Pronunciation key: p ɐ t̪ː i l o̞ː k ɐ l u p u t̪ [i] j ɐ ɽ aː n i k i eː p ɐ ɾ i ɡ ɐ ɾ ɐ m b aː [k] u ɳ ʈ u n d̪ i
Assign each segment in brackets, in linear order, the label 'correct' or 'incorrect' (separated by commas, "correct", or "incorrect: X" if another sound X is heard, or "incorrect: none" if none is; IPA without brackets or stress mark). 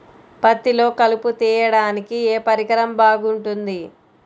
incorrect: iː, incorrect: ɡ